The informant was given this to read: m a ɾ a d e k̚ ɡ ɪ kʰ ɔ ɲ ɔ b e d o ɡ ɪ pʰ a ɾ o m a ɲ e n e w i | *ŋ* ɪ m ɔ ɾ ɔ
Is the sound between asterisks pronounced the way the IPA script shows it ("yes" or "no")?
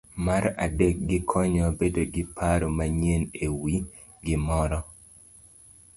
no